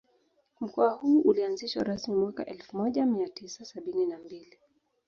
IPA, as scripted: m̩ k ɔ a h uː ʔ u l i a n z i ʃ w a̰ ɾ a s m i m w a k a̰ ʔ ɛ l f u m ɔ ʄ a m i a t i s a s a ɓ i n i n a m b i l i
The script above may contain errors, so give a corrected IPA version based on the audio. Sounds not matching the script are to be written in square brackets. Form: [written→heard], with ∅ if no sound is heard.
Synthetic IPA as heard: m̩ k ɔ a h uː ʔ u l i a n z i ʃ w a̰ ɾ a s m i m w a k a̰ ʔ ɛ l f u m ɔ ʄ a m i a t i s a s a ɓ i n i n a m b i l i